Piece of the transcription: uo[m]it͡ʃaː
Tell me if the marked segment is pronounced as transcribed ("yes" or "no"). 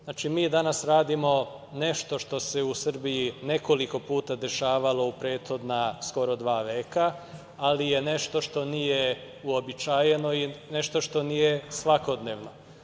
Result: no